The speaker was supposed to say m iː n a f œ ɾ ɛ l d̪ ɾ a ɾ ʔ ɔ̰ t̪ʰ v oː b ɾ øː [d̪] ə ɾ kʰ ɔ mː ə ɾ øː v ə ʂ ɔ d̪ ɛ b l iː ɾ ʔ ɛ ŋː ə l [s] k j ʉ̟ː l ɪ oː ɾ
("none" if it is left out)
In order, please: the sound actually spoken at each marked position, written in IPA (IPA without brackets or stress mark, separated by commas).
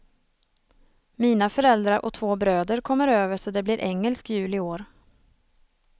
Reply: d̪, s